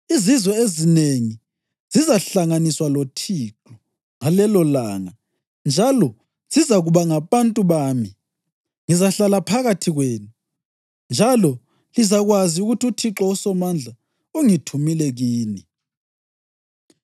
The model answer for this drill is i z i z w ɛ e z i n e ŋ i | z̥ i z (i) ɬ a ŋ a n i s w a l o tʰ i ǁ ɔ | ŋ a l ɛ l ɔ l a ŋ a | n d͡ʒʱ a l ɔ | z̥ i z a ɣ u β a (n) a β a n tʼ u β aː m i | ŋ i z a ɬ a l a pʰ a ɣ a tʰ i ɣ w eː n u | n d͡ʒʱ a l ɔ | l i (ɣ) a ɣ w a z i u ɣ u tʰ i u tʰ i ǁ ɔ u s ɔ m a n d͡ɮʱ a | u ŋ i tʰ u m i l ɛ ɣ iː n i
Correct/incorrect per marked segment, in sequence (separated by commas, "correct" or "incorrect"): incorrect, incorrect, incorrect